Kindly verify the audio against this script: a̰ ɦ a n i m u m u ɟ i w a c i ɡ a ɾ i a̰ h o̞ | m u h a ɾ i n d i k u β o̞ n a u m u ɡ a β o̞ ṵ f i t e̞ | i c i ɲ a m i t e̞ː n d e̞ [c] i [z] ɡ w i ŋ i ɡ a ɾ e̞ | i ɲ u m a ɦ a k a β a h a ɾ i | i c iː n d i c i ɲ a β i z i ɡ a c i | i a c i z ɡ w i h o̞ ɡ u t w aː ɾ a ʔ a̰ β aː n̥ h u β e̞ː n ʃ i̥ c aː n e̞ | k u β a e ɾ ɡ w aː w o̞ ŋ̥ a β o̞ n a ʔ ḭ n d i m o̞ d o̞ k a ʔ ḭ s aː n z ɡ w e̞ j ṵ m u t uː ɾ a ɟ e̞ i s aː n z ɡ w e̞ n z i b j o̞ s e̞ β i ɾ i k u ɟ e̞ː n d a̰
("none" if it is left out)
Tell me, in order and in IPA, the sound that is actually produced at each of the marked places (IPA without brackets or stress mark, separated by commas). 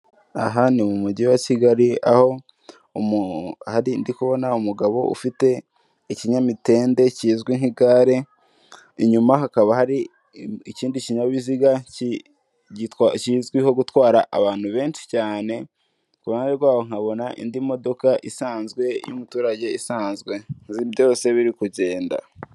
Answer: c, z